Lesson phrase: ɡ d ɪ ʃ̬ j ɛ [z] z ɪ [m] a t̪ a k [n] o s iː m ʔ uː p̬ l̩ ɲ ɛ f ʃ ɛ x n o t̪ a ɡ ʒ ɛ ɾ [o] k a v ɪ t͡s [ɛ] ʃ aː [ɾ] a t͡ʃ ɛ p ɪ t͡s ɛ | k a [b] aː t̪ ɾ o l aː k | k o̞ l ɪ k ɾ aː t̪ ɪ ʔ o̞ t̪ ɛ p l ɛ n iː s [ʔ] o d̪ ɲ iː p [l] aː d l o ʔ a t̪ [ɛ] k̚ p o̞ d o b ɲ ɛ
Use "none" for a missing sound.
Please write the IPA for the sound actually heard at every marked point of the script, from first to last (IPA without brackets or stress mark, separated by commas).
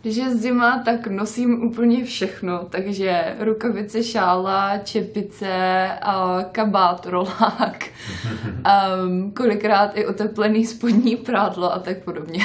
z, m, n, u, ɛ, l, b, p, ɾ, a